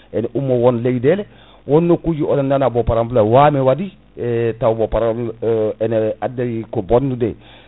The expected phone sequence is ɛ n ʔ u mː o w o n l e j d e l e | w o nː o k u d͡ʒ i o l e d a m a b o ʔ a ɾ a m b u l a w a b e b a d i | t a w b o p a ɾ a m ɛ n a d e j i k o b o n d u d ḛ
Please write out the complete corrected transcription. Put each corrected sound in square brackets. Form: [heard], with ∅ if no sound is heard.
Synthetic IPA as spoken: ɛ n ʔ u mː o w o n l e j d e l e | w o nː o k u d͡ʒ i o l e [n] a [n] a b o [p] a ɾ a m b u l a w a [m] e [w] a d i | t a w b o p a ɾ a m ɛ n a d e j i k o b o n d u d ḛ